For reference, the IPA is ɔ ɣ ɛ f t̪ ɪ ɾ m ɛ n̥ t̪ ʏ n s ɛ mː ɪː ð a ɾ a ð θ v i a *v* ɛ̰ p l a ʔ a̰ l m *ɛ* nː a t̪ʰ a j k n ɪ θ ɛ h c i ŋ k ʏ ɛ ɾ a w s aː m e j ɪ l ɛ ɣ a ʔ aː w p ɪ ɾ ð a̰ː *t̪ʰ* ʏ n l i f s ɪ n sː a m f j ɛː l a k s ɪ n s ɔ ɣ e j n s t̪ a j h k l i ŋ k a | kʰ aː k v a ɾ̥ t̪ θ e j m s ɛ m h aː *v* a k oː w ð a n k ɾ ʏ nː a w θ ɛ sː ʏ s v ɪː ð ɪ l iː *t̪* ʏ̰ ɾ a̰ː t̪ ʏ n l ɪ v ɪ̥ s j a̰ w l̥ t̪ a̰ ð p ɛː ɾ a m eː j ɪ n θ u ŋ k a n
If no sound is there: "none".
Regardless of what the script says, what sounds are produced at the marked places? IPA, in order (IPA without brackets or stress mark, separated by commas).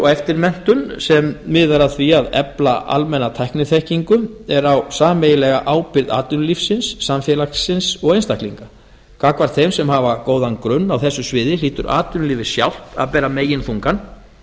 ð, ɛ, t̪, v, t̪